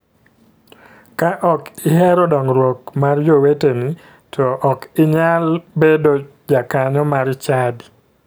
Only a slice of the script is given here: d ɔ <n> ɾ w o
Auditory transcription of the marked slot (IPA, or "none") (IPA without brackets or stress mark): ŋ